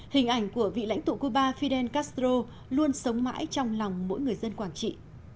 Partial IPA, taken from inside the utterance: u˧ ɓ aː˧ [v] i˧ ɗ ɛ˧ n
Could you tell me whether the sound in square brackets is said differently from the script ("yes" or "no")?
yes